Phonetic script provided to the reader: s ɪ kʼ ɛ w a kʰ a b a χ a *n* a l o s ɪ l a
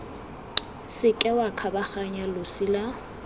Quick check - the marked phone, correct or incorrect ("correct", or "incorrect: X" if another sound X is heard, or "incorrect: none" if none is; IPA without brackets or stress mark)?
incorrect: ɲ